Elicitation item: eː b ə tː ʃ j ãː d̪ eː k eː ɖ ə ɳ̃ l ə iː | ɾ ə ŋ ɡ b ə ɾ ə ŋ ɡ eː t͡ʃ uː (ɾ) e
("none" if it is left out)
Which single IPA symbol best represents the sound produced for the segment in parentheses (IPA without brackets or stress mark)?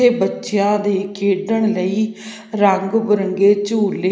l